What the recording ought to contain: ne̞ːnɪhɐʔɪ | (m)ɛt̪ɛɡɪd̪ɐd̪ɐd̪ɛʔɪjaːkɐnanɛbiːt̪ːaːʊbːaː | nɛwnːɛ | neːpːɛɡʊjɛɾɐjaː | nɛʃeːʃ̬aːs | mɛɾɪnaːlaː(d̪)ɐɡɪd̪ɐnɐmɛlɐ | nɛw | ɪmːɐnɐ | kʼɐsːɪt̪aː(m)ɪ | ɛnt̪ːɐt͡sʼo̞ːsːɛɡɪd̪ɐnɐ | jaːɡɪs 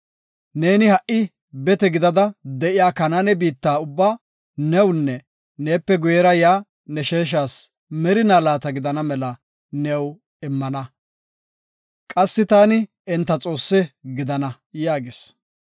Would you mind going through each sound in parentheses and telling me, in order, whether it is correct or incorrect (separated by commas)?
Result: incorrect, incorrect, incorrect